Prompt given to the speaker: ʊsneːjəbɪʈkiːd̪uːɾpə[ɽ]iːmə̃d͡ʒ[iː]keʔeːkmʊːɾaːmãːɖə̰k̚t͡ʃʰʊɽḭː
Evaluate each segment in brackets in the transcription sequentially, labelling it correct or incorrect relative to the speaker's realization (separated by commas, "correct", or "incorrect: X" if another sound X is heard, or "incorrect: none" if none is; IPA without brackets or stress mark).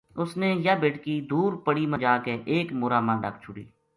correct, incorrect: aː